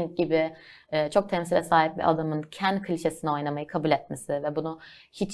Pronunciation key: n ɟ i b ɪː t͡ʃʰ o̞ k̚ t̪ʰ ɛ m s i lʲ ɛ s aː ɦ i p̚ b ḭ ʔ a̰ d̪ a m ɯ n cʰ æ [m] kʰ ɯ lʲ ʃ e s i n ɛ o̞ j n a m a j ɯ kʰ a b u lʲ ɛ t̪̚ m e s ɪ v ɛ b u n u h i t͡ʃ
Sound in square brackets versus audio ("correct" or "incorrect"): incorrect